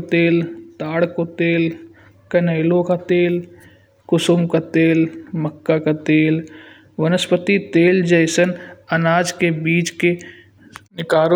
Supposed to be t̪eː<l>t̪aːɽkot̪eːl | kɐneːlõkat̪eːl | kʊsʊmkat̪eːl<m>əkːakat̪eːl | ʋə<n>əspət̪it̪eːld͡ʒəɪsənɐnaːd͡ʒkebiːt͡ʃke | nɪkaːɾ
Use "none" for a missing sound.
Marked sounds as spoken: l, m, n

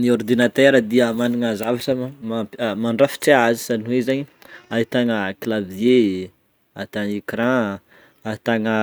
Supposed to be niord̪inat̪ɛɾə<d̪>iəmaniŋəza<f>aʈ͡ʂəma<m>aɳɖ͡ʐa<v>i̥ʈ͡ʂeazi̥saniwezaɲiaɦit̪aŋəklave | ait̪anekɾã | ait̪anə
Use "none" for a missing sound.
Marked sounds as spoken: d̪, v, m, f

